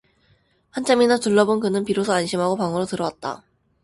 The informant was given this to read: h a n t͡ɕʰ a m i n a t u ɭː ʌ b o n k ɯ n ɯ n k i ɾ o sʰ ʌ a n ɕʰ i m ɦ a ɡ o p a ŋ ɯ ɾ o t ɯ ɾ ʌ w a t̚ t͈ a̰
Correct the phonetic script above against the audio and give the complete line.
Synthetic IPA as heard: h a n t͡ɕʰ a m i n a t u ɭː ʌ b o n k ɯ n ɯ n p i ɾ o sʰ ʌ a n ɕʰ i m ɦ a ɡ o p a ŋ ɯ ɾ o t ɯ ɾ ʌ w a t̚ t͈ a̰